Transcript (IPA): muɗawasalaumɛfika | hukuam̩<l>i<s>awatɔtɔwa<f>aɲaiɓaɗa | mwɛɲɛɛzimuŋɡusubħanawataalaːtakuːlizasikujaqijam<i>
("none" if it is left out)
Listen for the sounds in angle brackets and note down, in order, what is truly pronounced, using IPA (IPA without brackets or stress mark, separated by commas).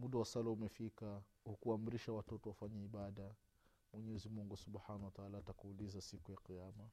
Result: ɾ, ʃ, f, a